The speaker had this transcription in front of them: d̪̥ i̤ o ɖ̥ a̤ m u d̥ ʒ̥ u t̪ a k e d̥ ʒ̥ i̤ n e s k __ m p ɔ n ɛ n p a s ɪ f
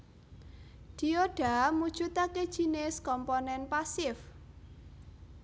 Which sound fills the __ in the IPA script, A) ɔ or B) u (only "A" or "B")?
A